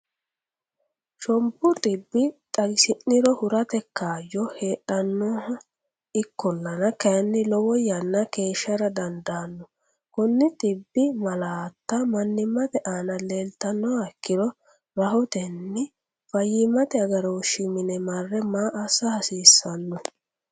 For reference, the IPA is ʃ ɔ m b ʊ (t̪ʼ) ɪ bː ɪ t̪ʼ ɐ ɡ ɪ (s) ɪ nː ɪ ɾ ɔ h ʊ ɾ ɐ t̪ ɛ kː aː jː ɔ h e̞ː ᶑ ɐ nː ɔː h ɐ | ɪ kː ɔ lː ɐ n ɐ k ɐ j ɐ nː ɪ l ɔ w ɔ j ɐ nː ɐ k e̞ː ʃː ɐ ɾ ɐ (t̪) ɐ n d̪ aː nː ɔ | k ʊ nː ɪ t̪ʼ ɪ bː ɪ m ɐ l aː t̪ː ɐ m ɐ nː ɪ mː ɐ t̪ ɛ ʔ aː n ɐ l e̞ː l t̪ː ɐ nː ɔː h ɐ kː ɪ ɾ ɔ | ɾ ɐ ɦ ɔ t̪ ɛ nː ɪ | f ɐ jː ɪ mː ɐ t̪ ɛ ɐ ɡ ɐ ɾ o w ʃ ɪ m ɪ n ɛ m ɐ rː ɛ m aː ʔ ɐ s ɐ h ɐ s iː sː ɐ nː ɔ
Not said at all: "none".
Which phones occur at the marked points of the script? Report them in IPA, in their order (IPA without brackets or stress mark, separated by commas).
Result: t̪ʼ, s, d̪